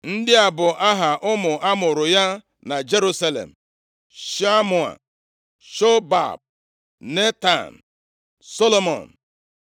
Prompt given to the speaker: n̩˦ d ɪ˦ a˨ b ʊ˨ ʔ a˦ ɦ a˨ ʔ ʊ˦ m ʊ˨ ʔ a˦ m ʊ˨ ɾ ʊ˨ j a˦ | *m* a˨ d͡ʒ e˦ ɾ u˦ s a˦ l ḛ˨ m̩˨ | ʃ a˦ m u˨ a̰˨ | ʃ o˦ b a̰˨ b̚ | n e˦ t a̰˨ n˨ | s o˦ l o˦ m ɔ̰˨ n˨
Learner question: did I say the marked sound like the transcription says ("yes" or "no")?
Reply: no